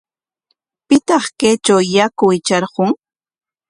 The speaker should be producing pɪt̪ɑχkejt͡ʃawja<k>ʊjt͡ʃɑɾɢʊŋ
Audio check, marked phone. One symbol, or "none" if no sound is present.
k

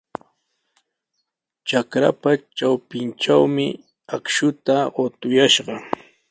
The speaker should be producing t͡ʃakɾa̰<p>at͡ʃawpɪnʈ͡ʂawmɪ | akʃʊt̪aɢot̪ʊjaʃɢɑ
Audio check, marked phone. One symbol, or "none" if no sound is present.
p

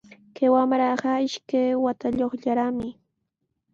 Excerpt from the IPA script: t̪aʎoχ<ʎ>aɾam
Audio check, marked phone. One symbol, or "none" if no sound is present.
ʎ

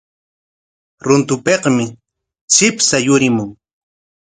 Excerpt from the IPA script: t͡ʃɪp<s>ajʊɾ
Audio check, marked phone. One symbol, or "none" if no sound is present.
s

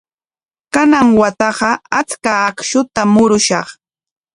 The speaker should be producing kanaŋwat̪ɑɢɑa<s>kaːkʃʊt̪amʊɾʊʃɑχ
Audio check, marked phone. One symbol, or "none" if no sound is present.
t͡s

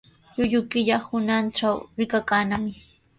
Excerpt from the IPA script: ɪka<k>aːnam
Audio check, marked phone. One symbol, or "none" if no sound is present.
k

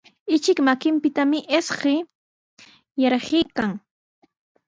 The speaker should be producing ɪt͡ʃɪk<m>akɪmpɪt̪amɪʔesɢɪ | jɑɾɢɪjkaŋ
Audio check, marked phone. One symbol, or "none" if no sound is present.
m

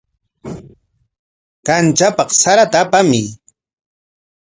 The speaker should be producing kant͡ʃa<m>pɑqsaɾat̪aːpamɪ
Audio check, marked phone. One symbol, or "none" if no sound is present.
none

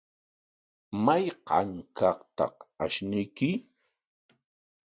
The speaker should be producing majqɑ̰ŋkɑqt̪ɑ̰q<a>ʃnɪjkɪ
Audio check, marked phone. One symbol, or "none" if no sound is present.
a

